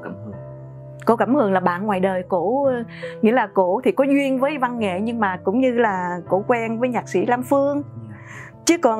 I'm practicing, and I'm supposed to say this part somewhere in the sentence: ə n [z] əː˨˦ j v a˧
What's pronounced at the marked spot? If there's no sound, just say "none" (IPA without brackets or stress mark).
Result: v